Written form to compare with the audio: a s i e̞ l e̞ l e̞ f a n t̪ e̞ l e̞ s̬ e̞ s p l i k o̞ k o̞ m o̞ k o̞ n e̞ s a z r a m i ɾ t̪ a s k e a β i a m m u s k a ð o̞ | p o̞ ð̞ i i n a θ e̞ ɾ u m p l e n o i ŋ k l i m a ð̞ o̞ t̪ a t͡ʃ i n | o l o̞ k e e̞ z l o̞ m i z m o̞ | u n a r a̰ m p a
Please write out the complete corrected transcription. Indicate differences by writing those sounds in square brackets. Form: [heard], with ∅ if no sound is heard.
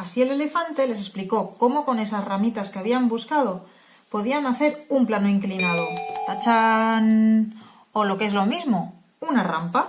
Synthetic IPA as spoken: a s i e̞ l e̞ l e̞ f a n t̪ e̞ l e̞ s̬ e̞ s p l i k o̞ k o̞ m o̞ k o̞ n e̞ s a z r a m i [∅] t̪ a s k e a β i a m [b] u s k a ð o̞ | p o̞ ð̞ i [a] n a θ e̞ ɾ u m p l [a] n o i ŋ k l i [n] a ð̞ o̞ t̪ a t͡ʃ [a] n | o l o̞ k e e̞ z l o̞ m i z m o̞ | u n a r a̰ m p a